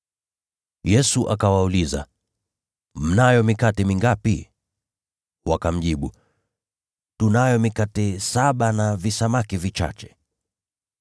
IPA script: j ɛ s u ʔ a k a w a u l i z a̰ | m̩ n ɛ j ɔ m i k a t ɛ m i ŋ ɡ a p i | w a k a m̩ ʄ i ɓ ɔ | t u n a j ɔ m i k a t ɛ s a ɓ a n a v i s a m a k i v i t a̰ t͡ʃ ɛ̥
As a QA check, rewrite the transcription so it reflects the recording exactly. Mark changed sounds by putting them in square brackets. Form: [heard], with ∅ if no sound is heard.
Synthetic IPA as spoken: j ɛ s u ʔ a k a w a u l i z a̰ | m̩ n [a] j ɔ m i k a t ɛ m i ŋ ɡ a p i | w a k a m̩ ʄ i ɓ [u] | t u n a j ɔ m i k a t ɛ s a ɓ a n a v i s a m a k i v i [t͡ʃ] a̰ t͡ʃ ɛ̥